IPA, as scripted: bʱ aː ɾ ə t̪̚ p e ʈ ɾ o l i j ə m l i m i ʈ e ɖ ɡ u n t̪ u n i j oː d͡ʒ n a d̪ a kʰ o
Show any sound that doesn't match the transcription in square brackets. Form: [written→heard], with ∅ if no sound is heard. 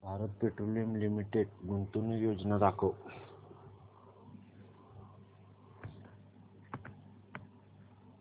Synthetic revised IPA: bʱ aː ɾ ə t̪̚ p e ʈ ɾ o l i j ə m l i m i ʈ e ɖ ɡ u n t̪ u n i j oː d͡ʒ n a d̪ a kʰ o